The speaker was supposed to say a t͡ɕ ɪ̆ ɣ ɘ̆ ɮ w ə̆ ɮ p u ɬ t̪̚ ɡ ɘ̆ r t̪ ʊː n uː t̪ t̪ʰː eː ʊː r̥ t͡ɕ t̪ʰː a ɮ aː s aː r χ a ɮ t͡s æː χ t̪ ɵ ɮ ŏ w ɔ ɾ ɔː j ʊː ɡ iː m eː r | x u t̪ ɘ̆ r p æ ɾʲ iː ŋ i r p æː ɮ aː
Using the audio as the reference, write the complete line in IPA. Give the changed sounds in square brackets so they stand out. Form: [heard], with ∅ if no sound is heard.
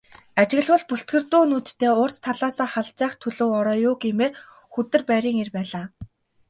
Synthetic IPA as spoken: a t͡ɕ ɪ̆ ɣ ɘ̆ ɮ w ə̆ ɮ p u ɬ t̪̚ ɡ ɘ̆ r t̪ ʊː n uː t̪ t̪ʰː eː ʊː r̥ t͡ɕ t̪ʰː a ɮ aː s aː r χ a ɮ t͡s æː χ [t̪ʰ] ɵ ɮ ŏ w ɔ ɾ ɔː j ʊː ɡ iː m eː r | x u t̪ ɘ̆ r p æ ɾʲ iː ŋ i r p æː ɮ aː